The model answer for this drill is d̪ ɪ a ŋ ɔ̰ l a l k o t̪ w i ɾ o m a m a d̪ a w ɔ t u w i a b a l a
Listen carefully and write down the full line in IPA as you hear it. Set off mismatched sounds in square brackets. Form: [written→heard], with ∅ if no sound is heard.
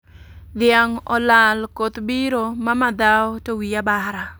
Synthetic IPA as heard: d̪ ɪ a ŋ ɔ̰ l a l k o t̪ [w→b] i ɾ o m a m a d̪ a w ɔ t [u→o] w i a b a [l→ɾ] a